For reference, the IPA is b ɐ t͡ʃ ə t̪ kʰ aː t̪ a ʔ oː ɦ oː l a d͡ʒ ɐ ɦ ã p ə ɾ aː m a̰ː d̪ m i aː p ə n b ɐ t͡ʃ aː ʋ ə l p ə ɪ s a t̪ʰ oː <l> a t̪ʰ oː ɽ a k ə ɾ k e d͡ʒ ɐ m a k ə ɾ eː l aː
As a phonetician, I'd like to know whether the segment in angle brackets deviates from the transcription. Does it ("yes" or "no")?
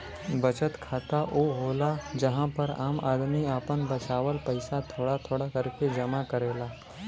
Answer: yes